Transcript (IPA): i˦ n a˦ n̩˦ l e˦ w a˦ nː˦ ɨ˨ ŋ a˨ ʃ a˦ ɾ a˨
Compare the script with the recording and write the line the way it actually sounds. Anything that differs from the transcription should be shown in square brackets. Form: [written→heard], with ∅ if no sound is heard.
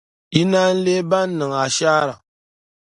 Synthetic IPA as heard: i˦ n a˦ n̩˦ l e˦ [w→b] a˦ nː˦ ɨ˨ ŋ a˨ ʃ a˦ ɾ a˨